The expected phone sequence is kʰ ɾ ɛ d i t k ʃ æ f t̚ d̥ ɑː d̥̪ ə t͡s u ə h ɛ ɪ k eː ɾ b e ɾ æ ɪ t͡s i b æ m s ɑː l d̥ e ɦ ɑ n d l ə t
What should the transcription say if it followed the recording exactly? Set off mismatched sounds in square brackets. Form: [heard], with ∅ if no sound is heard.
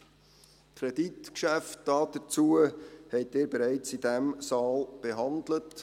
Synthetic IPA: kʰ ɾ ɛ d i t k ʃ æ f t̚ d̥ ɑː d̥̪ ə t͡s u ə h ɛ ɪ [t] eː ɾ b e ɾ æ ɪ t͡s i [d] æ m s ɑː l [b̥] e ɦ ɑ n d l ə t